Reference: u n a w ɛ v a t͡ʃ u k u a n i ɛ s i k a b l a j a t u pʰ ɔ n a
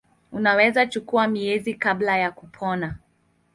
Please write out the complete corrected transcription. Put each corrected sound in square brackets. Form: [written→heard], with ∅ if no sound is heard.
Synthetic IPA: u n a w ɛ [v→z] a t͡ʃ u k u a [n→m] i ɛ [s→z] i k a b l a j a [t→k] u pʰ ɔ n a